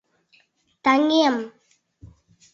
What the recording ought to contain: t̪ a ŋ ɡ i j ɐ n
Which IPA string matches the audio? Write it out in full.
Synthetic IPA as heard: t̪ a ŋ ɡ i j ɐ m